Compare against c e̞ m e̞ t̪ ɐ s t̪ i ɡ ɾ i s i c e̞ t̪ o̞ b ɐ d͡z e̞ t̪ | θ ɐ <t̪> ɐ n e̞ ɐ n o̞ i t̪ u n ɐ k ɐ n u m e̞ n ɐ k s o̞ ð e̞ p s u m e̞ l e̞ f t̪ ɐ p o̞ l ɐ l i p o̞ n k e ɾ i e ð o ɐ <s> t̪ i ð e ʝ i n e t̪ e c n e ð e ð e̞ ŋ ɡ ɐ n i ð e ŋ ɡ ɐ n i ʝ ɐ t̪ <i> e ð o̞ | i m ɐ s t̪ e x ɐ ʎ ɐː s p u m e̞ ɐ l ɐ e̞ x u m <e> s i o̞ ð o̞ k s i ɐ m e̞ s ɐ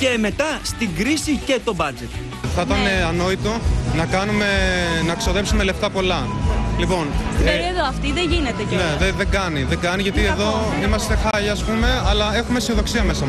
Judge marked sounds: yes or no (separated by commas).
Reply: yes, no, yes, yes